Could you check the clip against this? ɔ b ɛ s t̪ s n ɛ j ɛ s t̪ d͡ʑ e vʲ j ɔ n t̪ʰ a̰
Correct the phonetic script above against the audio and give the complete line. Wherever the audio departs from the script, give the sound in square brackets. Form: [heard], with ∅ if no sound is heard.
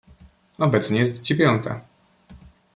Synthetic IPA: ɔ b ɛ [∅] t̪ s [ɲ] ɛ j ɛ s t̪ d͡ʑ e vʲ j ɔ n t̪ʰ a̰